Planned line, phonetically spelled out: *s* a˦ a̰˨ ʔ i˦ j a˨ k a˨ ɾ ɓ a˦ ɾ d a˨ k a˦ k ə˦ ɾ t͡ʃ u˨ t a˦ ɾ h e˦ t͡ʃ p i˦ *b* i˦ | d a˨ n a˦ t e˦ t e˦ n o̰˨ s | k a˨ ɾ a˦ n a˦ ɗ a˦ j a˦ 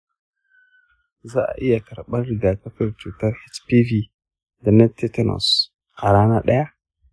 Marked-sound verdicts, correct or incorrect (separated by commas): incorrect, incorrect